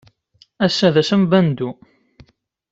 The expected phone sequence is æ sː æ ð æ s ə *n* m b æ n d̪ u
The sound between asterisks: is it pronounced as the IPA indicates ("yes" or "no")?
no